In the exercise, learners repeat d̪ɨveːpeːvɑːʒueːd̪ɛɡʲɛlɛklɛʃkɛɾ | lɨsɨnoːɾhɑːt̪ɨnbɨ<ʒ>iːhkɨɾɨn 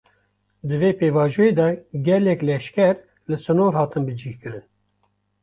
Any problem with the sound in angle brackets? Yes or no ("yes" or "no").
yes